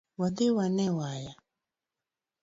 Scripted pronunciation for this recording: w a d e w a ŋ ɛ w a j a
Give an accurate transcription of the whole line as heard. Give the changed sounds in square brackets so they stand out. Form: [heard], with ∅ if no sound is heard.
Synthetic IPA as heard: w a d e w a [n] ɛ w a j a